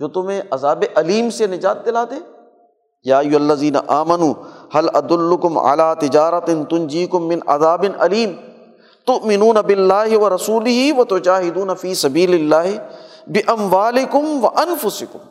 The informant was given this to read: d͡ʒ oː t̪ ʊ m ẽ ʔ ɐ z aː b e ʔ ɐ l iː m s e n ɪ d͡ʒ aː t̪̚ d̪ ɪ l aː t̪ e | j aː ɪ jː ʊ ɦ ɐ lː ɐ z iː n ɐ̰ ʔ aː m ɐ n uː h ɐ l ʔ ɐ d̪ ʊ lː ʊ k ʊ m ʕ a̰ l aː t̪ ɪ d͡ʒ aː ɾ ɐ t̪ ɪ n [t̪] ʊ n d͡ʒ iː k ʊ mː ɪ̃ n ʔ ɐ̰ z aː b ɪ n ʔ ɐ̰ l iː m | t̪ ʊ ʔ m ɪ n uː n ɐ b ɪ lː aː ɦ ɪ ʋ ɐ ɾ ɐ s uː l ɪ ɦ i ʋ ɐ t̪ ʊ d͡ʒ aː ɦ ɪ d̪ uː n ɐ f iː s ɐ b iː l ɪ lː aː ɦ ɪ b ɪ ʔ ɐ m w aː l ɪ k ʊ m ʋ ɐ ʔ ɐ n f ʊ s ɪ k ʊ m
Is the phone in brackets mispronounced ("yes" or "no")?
no